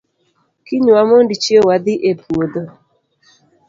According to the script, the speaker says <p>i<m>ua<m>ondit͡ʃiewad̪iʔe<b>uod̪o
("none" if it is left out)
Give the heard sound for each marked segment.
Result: k, ɲ, m, p

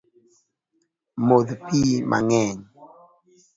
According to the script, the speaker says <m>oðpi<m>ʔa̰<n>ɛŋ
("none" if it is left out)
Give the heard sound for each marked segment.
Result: m, m, ŋ

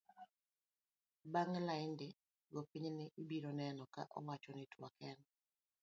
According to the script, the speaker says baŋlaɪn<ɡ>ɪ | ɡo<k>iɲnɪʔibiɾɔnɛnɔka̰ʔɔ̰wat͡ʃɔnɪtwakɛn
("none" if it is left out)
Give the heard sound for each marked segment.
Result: d, p

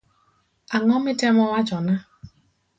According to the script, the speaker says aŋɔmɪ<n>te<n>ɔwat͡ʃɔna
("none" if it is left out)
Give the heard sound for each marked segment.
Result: none, m

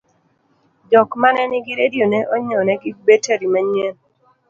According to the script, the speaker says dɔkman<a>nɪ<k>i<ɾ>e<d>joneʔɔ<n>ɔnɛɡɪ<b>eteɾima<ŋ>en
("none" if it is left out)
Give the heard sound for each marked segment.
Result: ɛ, ɡ, ɾ, d, ɲ, b, ɲ

